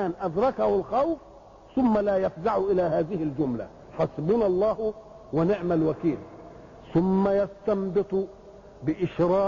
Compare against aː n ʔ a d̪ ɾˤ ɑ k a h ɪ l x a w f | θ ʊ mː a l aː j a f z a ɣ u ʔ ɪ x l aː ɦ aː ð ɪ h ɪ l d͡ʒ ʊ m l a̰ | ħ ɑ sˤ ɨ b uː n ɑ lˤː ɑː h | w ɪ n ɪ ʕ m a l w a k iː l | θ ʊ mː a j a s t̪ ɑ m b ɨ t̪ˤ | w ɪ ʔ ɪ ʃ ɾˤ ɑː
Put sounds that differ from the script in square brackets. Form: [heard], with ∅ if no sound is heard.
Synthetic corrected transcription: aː n ʔ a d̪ ɾˤ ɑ k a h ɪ l x a w f | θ ʊ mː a l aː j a f z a [ʕ] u ʔ ɪ [∅] l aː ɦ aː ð ɪ h ɪ l d͡ʒ ʊ m l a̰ | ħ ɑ sˤ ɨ b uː n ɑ lˤː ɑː h | w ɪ n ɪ ʕ m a l w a k iː l | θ ʊ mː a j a s t̪ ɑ m b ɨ t̪ˤ | [b] ɪ ʔ ɪ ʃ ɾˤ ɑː